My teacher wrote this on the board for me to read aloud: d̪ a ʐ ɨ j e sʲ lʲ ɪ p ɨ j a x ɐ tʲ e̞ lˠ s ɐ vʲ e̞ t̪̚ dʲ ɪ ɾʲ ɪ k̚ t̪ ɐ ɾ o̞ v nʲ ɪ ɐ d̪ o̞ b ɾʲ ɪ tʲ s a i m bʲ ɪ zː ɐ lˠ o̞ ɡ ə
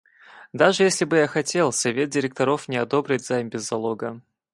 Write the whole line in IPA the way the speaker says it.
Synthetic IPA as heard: d̪ a ʐ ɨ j e sʲ lʲ ɪ b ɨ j a x ɐ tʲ e̞ lˠ s ɐ vʲ e̞ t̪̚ dʲ ɪ ɾʲ ɪ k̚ t̪ ɐ ɾ o̞ f nʲ ɪ ɐ d̪ o̞ b ɾʲ ɪ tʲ z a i m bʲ ɪ zː ɐ lˠ o̞ ɡ ə